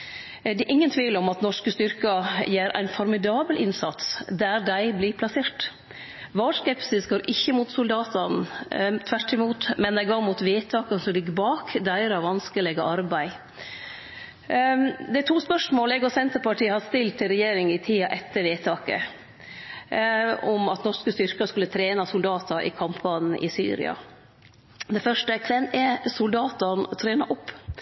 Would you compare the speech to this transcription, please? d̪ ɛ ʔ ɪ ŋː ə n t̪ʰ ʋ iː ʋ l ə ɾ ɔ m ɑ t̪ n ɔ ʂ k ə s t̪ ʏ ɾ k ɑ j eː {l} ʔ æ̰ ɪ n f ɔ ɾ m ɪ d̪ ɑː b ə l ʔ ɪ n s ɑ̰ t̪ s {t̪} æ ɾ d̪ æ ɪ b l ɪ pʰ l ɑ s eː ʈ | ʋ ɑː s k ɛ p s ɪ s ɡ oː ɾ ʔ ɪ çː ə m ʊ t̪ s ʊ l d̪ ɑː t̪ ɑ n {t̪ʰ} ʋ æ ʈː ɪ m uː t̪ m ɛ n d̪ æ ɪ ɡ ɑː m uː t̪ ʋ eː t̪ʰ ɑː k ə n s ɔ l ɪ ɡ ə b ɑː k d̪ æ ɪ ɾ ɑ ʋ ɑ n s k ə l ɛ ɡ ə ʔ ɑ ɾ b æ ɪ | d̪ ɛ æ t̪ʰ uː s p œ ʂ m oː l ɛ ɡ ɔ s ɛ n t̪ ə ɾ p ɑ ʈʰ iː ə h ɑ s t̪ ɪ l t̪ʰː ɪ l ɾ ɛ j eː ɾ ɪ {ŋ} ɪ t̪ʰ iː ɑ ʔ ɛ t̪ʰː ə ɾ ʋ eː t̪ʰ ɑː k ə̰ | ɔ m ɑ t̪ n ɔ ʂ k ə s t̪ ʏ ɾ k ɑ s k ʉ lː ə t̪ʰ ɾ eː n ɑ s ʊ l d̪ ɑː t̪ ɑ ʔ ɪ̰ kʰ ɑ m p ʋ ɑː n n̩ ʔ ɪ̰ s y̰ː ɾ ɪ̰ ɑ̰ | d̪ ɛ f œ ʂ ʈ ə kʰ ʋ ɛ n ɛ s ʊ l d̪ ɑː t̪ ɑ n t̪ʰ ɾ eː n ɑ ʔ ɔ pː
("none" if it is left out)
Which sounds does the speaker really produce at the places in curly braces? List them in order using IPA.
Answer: ɾ, d̪, t̪ʰ, ŋ

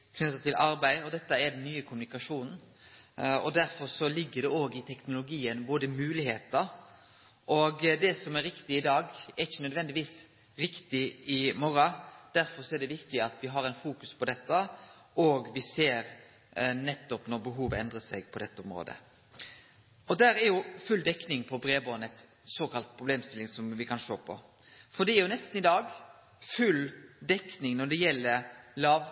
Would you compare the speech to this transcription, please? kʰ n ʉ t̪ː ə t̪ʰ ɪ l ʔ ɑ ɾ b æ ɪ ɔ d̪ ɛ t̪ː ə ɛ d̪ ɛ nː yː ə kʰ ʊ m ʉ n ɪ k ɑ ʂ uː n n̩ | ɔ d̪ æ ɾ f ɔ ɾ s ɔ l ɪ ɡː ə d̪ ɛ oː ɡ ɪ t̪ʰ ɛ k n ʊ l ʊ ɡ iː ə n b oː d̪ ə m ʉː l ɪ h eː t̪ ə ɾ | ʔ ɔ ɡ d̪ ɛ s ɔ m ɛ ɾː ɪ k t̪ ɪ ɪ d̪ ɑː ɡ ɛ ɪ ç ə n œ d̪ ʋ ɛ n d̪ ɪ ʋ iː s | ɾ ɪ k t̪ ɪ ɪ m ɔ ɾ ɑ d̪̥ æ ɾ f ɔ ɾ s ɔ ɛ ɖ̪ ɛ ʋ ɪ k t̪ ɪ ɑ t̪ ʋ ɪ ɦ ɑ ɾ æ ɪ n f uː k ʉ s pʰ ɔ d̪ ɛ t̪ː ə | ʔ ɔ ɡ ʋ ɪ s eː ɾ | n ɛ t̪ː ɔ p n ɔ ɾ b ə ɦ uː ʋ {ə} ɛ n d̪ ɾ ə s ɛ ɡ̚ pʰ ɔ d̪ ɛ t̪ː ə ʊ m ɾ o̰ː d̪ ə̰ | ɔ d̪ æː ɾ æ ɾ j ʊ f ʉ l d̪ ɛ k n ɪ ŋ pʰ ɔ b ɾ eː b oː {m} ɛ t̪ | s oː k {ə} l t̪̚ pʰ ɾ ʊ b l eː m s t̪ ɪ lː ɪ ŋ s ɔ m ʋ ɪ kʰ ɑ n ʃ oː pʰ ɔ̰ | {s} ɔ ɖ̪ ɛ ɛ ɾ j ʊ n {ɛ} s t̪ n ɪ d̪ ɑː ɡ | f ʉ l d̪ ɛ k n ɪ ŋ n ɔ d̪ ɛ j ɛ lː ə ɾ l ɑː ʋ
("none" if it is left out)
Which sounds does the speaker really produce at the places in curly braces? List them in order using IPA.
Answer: ə, n, ɑ, f, ɛ

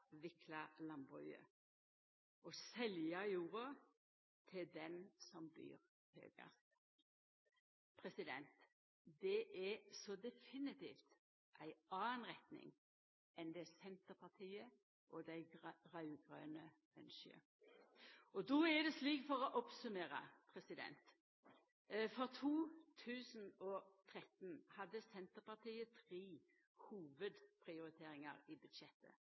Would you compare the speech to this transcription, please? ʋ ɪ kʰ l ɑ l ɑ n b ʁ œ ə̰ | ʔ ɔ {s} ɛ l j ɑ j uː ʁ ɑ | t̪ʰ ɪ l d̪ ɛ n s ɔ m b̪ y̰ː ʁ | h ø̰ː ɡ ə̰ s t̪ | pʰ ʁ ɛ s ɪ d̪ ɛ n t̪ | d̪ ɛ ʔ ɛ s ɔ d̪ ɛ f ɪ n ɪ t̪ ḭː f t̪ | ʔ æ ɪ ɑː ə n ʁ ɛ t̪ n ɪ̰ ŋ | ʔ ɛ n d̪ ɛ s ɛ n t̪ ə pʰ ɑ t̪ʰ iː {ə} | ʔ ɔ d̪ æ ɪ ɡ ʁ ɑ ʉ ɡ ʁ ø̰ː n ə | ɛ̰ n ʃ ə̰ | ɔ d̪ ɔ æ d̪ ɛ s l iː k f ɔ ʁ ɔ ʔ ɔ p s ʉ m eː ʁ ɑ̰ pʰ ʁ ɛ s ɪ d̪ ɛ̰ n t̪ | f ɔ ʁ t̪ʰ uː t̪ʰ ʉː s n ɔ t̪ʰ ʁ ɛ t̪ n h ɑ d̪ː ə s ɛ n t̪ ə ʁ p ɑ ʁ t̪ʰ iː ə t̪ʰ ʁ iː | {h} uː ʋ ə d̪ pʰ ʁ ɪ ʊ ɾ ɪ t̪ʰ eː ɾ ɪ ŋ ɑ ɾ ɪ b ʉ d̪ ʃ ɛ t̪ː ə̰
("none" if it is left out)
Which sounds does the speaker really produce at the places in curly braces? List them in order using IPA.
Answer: s, ə, h

